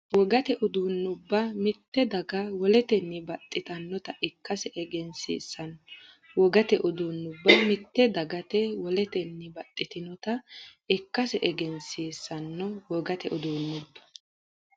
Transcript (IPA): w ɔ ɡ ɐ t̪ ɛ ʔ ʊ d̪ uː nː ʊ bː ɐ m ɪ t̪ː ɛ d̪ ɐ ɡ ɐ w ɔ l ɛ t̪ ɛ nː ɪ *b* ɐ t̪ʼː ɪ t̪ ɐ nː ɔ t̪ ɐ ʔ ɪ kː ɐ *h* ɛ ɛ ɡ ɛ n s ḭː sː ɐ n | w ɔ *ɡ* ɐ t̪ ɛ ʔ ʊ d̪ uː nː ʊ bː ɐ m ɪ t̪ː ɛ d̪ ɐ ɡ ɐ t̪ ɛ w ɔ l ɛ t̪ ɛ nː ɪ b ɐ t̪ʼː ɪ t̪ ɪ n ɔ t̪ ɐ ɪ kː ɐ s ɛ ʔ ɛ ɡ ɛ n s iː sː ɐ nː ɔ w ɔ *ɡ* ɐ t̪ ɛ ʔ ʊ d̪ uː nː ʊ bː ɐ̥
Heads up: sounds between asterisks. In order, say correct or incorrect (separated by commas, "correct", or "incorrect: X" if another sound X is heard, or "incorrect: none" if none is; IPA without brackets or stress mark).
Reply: correct, incorrect: s, correct, correct